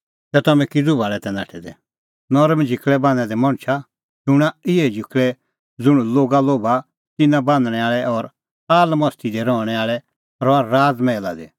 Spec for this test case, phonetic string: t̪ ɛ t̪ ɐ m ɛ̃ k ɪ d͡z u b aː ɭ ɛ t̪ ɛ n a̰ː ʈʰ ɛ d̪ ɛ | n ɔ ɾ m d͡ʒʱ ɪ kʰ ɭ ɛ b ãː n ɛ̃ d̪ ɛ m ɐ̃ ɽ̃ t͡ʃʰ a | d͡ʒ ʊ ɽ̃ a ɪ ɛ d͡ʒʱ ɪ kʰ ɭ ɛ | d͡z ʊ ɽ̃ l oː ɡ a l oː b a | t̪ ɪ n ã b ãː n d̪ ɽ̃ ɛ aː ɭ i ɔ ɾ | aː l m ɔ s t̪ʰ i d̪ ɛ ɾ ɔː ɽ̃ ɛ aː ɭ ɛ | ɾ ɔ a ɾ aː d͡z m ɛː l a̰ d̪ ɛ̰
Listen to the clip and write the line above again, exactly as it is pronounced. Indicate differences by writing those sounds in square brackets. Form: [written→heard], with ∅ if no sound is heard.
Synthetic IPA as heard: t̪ ɛ t̪ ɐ m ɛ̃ k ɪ d͡z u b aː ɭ ɛ t̪ ɛ n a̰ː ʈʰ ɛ d̪ ɛ | n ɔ ɾ m d͡ʒʱ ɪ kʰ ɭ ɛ b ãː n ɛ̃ d̪ ɛ m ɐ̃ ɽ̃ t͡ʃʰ a | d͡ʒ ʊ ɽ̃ a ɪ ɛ d͡ʒʱ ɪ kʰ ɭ ɛ | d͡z ʊ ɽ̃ l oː ɡ a l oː b a | t̪ ɪ n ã b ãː n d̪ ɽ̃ ɛ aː ɭ [i→ɛ] ɔ ɾ | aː l m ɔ s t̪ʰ i d̪ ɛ ɾ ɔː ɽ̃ ɛ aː ɭ ɛ | ɾ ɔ a ɾ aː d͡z m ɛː l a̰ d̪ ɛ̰